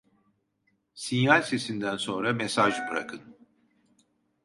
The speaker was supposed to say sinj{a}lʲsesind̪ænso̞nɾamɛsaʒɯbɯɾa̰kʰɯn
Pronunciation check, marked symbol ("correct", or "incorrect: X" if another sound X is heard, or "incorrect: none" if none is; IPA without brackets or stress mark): correct